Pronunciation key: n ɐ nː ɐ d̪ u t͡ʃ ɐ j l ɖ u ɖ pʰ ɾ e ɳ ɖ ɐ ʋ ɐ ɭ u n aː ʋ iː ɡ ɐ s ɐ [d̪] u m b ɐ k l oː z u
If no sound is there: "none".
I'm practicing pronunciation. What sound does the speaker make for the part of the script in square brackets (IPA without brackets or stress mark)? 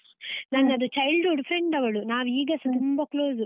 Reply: t̪